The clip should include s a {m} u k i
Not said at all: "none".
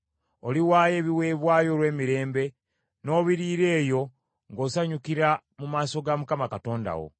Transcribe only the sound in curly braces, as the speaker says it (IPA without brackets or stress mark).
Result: ɲ